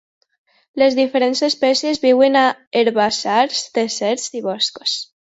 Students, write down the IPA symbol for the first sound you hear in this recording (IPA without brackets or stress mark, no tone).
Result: l